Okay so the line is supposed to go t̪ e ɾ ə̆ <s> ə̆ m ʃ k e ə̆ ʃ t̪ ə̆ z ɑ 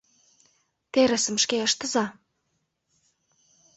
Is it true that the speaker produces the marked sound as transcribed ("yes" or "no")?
yes